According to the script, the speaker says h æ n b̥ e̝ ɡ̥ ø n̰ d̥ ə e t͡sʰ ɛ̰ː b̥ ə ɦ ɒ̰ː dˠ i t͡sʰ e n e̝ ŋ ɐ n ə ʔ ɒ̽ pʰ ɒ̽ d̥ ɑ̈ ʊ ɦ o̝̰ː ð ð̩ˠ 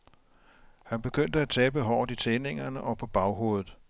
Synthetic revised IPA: h æ n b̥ e̝ ɡ̥ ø n̰ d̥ ə æ t͡sʰ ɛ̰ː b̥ ə ɦ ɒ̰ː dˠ i t͡sʰ e n e̝ ŋ ɐ n ə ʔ ɒ̽ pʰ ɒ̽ b̥ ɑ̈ ʊ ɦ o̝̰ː ð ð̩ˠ